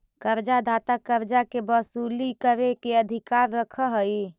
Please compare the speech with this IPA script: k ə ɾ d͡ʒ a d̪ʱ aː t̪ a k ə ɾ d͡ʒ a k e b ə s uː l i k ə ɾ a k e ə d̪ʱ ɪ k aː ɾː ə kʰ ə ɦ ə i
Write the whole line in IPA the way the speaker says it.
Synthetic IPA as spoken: k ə ɾ d͡ʒ a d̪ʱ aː t̪ a k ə ɾ d͡ʒ a k e b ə s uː l i k ə ɾ e k e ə d̪ʱ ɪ k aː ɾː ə kʰ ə ɦ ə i